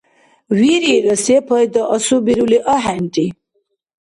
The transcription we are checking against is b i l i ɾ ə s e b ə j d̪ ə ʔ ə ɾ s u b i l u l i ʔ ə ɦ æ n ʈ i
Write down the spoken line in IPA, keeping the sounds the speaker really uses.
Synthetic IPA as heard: w i ɾ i ɾ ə s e p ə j d̪ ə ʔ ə s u b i ɾ u l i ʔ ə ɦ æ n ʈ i